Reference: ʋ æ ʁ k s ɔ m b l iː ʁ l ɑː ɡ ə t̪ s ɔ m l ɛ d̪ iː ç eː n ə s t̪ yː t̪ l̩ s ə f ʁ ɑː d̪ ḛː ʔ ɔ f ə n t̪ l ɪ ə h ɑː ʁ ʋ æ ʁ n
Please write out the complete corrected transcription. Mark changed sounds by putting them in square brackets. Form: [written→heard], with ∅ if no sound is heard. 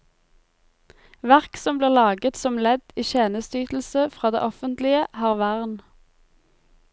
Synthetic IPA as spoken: ʋ æ ʁ k s ɔ m b l iː ʁ l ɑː ɡ ə t̪ s ɔ m l ɛ d̪ iː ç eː n ə s t̪ yː t̪ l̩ s ə f ʁ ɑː d̪ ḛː ʔ ɔ f ə n t̪ l ɪ ə h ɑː ʁ ʋ æ ʁ n